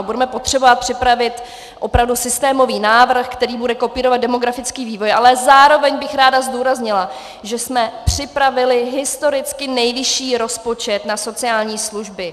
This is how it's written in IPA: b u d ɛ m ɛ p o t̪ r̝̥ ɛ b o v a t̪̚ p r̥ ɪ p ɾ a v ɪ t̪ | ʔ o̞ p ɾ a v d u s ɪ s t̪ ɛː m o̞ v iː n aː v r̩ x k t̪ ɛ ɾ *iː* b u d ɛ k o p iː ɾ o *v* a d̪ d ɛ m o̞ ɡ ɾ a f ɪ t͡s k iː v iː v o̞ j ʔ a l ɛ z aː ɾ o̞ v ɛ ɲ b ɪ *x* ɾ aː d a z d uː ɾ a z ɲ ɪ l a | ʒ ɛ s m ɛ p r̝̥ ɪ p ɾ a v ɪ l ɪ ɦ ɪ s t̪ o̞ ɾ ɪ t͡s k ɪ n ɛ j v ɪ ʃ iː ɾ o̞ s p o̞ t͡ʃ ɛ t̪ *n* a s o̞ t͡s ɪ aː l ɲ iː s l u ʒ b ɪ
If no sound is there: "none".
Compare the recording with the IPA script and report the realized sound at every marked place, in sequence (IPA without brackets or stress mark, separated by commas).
iː, v, x, n